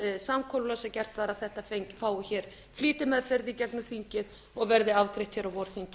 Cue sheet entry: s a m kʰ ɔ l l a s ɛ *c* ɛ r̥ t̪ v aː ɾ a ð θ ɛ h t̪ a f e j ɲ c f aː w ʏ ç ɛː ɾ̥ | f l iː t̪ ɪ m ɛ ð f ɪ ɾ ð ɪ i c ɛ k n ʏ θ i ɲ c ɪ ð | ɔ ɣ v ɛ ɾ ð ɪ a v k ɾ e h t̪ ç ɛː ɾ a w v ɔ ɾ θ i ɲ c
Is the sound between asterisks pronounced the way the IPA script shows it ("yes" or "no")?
yes